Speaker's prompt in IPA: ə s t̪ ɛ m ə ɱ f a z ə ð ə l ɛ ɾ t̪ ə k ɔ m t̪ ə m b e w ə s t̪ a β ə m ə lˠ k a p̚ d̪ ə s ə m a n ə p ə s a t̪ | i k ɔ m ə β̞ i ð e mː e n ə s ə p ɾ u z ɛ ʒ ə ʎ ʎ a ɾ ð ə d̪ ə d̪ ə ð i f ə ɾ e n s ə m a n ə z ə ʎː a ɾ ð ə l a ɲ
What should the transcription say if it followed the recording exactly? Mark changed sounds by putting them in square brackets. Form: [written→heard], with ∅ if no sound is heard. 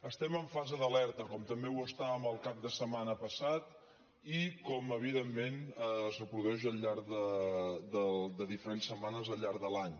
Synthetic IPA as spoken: ə s t̪ ɛ m ə ɱ f a z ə ð ə l ɛ ɾ t̪ ə k ɔ m t̪ ə m b e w ə s t̪ a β ə m ə lˠ k a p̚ d̪ ə s ə m a n ə p ə s a t̪ | i k ɔ m ə β̞ i ð e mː e n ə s ə p ɾ u [z→ð] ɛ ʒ ə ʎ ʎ a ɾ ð ə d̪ ə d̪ ə ð i f ə ɾ e n s ə m a n ə z ə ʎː a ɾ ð ə l a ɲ